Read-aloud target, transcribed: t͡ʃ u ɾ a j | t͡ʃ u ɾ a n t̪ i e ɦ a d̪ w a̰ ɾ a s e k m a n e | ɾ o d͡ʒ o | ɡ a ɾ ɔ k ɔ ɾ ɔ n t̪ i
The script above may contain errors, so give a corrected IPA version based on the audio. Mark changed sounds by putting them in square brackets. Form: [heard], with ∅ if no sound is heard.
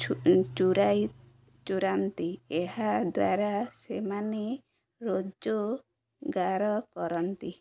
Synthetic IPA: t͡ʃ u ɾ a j | t͡ʃ u ɾ a n t̪ i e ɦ a d̪ w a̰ ɾ a s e [∅] m a n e | ɾ o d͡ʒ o | ɡ a ɾ ɔ k ɔ ɾ ɔ n t̪ i